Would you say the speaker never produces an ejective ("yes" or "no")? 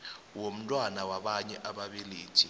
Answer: no